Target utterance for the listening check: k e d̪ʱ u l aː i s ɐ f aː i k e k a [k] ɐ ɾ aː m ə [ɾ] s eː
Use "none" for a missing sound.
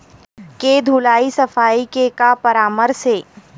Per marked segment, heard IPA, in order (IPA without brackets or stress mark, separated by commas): p, ɾ